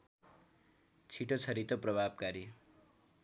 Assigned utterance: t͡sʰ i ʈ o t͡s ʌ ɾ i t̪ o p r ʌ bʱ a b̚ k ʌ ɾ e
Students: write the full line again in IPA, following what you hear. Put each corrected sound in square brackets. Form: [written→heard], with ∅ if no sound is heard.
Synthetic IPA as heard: t͡sʰ i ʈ o [t͡s→t͡sʰ] ʌ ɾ i t̪ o p r ʌ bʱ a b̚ k [ʌ→a] ɾ [e→i]